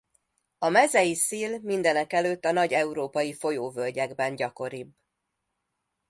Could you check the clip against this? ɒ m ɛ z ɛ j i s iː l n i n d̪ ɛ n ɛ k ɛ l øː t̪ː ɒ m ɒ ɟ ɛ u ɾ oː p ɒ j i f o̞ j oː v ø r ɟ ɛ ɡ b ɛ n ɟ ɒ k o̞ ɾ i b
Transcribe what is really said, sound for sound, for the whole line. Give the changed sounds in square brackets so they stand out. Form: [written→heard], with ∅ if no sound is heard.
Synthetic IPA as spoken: ɒ m ɛ z ɛ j i s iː l [n→m] i n d̪ ɛ n ɛ k ɛ l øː t̪ː ɒ [m→n] ɒ ɟ ɛ u ɾ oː p ɒ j i f o̞ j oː v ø [r→l] ɟ ɛ ɡ b ɛ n ɟ ɒ k o̞ ɾ i b